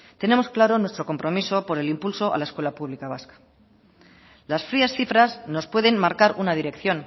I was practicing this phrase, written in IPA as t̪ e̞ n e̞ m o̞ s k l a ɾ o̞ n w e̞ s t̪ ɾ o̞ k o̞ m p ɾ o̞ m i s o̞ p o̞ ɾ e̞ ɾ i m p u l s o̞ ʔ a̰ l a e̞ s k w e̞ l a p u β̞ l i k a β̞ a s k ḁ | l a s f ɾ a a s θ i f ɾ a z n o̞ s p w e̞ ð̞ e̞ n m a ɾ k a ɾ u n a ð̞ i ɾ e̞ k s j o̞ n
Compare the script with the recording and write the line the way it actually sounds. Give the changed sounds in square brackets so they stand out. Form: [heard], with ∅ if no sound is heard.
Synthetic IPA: t̪ e̞ n e̞ m o̞ s k l a ɾ o̞ n w e̞ s t̪ ɾ o̞ k o̞ m p ɾ o̞ m i s o̞ p o̞ ɾ e̞ [l] i m p u l s o̞ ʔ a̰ l a e̞ s k w e̞ l a p u β̞ l i k a β̞ a s k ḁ | l a s f ɾ [i] a s θ i f ɾ a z n o̞ s p w e̞ ð̞ e̞ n m a ɾ k a ɾ u n a ð̞ i ɾ e̞ k [θ] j o̞ n